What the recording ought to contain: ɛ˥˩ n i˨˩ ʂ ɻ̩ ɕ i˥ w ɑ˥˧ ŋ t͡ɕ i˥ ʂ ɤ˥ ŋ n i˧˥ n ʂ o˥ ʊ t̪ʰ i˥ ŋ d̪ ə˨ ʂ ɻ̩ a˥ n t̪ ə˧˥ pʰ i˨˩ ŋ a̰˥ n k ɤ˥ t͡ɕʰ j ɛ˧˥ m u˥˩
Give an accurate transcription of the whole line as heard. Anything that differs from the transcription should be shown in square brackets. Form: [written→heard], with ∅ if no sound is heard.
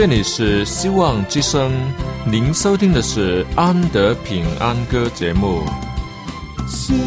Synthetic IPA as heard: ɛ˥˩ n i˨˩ ʂ ɻ̩ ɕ i˥ w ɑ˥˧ ŋ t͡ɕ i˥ ʂ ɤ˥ ŋ n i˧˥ n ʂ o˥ ʊ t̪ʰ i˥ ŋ d̪ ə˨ ʂ ɻ̩ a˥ n t̪ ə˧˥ pʰ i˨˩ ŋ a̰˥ n k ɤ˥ [t͡ɕʰ→t͡ɕ] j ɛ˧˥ m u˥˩